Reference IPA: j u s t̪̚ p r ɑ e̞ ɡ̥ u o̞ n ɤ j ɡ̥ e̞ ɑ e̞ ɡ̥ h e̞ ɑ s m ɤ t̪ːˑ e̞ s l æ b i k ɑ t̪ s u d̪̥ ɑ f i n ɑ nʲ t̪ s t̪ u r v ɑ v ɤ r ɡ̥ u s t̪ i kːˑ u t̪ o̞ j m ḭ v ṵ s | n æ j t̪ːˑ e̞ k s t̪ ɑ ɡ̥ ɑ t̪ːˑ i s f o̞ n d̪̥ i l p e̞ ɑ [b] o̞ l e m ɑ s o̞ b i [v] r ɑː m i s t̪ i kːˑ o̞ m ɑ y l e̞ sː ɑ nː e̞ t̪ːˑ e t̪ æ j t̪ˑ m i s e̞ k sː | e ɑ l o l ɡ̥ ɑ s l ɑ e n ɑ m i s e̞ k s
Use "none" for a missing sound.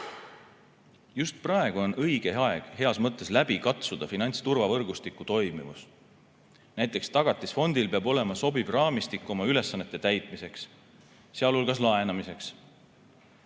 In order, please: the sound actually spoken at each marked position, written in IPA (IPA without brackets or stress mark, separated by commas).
b, v